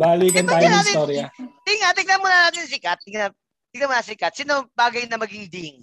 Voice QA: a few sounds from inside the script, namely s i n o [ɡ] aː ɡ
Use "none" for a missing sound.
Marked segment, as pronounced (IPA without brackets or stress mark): b